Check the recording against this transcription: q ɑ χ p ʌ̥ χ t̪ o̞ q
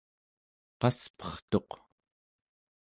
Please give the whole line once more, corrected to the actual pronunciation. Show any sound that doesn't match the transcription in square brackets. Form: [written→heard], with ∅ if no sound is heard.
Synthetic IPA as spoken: q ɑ [χ→s] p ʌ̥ χ t̪ o̞ q